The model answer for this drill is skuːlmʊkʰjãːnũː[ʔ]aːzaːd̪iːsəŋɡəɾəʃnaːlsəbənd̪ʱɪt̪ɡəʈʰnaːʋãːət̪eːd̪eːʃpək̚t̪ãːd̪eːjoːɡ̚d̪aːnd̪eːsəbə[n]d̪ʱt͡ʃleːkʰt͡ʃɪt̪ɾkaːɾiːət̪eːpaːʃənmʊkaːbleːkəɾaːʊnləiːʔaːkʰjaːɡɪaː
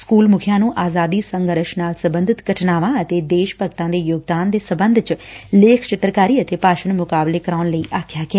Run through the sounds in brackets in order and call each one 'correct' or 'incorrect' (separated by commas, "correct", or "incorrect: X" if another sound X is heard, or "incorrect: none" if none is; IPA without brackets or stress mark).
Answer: correct, correct